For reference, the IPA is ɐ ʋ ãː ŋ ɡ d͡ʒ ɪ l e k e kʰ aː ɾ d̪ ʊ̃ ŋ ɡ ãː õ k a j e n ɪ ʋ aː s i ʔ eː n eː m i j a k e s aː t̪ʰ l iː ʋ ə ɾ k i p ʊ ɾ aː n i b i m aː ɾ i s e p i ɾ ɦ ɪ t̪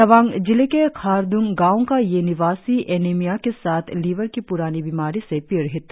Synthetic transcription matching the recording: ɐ ʋ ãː ŋ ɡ d͡ʒ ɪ l e k e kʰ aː ɾ d̪ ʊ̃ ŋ ɡ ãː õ k a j e n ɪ ʋ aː s i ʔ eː n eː m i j a k e s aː t̪ʰ l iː ʋ ə ɾ k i p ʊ ɾ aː n i b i m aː ɾ i s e p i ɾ ɦ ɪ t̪